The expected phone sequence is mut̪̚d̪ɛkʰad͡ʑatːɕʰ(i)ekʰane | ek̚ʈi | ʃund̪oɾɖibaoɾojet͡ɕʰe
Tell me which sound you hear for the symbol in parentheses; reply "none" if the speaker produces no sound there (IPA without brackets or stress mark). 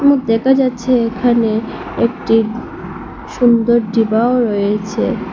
e